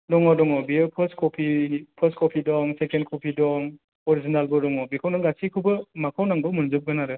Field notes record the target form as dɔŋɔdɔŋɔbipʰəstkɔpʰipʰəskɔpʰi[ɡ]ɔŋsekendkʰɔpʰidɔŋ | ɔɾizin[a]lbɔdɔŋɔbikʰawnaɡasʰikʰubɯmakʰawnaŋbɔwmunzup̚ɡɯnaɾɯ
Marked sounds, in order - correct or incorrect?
incorrect: d, correct

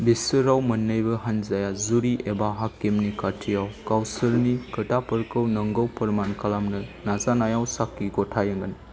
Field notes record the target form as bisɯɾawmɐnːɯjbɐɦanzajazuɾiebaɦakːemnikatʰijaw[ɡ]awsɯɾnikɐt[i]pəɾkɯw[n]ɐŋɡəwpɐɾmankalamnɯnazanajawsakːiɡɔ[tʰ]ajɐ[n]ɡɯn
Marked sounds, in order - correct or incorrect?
incorrect: k, incorrect: a, correct, correct, incorrect: ŋ

